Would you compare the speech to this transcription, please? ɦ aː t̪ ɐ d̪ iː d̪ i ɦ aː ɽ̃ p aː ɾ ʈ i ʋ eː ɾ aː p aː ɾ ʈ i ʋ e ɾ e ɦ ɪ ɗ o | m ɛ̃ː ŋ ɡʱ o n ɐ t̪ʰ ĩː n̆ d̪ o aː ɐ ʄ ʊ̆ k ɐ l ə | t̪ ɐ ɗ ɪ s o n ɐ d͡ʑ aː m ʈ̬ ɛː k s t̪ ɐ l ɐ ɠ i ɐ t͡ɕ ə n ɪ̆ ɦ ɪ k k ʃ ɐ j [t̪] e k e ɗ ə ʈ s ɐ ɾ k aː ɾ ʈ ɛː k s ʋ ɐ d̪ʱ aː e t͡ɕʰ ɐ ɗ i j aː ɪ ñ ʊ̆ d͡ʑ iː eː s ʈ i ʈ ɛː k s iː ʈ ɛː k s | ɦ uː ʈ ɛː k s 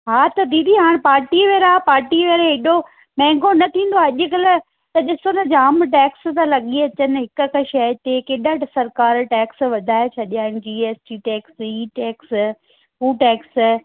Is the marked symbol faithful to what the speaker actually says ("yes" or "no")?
yes